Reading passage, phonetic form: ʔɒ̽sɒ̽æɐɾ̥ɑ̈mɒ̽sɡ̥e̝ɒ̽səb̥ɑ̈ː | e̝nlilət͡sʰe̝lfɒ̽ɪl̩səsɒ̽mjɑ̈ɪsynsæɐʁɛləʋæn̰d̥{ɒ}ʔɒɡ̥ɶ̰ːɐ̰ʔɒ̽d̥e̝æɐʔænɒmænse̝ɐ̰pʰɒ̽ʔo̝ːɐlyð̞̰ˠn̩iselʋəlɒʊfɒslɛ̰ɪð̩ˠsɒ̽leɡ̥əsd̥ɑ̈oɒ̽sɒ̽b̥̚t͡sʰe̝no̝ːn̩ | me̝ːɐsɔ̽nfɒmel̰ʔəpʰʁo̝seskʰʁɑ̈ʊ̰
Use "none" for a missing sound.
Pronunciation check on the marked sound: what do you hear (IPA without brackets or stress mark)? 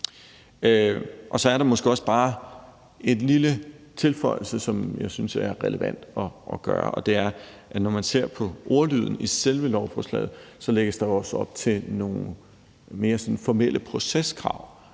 ɒ